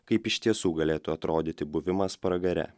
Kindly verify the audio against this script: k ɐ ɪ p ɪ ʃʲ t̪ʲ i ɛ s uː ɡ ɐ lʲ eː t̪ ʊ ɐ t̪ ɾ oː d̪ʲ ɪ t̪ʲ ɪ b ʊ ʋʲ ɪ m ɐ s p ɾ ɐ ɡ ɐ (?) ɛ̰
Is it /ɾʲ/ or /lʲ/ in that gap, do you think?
ɾʲ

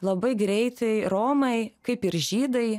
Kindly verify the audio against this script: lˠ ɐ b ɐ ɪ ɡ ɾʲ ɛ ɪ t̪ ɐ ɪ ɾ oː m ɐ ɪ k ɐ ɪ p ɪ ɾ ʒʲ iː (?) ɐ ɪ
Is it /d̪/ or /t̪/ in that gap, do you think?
d̪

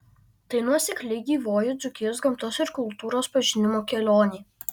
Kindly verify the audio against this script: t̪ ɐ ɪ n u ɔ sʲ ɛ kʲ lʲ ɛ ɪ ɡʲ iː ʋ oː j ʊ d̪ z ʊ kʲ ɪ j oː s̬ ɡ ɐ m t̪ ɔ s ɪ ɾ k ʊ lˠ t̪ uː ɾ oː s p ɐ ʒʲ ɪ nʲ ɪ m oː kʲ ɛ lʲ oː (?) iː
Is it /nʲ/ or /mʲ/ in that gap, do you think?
nʲ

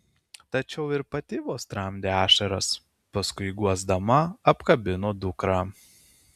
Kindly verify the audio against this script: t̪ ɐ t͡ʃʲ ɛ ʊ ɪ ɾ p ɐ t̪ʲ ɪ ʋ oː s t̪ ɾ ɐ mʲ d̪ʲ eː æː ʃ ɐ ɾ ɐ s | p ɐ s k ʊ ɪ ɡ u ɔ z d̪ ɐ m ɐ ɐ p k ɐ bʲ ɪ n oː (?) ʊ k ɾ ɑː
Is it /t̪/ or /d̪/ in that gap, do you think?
d̪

